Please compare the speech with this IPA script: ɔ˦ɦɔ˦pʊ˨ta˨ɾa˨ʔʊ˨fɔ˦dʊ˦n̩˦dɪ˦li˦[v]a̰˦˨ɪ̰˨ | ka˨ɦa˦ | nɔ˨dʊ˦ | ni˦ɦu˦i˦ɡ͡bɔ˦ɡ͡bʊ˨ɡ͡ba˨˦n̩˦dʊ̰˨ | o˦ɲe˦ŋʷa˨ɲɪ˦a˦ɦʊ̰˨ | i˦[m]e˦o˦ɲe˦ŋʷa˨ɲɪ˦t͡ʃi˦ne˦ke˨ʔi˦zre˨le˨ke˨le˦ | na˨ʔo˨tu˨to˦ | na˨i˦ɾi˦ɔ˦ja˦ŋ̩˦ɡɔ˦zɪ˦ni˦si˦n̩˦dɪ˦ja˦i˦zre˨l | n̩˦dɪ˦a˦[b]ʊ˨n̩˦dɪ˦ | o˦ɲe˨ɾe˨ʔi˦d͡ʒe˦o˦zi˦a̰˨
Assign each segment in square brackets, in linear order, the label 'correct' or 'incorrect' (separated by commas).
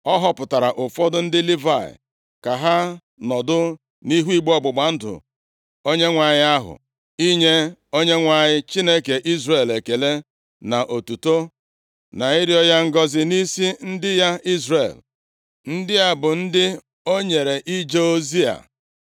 correct, incorrect, correct